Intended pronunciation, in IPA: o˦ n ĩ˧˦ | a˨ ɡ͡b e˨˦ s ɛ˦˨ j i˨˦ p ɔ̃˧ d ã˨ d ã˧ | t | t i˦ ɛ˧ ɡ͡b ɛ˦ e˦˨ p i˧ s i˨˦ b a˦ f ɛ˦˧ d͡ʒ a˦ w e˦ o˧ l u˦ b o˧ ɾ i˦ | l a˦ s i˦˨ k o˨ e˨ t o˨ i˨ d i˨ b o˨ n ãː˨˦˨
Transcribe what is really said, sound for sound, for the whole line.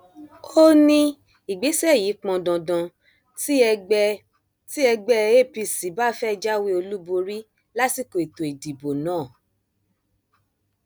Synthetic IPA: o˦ n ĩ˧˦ | i˨ ɡ͡b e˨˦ s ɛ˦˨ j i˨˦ k͡p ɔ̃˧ d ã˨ d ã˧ | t | t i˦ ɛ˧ ɡ͡b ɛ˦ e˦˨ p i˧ s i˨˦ b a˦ f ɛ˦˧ d͡ʒ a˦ w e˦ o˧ l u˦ b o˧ ɾ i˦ | l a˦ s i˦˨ k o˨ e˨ t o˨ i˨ d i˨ b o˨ n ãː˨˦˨